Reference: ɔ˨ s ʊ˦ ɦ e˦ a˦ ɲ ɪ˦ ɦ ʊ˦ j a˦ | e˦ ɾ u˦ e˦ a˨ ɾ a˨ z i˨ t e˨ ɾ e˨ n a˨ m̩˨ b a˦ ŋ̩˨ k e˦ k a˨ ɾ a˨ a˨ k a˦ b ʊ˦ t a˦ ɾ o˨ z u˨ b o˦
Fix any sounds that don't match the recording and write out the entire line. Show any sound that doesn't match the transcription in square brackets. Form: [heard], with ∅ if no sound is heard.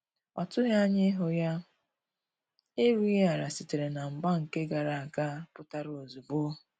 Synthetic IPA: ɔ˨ [t] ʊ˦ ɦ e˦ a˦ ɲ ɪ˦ ɦ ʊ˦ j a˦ | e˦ ɾ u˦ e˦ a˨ ɾ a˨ [s] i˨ t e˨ ɾ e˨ n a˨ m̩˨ b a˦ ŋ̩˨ k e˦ [ɡ] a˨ ɾ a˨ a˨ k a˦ [p] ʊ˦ t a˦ ɾ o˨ z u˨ b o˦